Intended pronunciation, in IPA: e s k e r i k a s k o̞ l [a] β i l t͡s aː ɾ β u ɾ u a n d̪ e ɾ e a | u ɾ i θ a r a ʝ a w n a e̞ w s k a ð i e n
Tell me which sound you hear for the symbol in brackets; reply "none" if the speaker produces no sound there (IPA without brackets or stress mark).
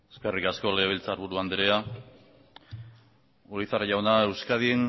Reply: e